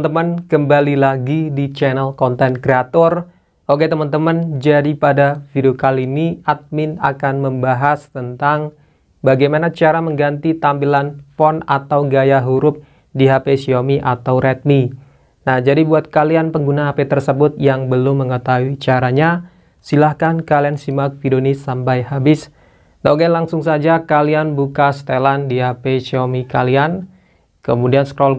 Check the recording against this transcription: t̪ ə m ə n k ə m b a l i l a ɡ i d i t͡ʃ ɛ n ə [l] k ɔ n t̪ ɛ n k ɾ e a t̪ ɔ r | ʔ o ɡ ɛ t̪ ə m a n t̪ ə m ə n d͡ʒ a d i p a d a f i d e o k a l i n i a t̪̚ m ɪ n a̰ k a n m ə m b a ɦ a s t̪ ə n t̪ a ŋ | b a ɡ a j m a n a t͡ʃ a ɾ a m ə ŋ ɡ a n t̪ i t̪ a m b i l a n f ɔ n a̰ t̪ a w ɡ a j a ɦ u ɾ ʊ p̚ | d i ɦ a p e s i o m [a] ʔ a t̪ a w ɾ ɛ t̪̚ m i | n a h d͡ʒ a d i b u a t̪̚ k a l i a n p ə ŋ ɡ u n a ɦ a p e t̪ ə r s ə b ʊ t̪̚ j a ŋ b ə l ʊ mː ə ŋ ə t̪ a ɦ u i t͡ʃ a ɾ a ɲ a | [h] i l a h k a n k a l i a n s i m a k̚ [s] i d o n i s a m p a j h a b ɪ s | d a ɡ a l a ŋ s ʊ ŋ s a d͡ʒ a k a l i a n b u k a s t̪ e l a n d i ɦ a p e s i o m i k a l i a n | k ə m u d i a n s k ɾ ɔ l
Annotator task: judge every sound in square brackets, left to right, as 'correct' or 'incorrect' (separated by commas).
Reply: correct, incorrect, incorrect, incorrect